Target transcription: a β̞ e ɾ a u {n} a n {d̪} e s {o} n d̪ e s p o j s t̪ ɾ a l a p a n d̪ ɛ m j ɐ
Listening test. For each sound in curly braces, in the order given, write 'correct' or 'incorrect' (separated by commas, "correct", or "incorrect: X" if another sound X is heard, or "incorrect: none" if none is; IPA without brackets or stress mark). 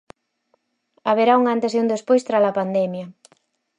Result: incorrect: ŋ, incorrect: t̪, incorrect: u